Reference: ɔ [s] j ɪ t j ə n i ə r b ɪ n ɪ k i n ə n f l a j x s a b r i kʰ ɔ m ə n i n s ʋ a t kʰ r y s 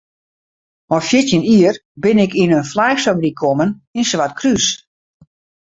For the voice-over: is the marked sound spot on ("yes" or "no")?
no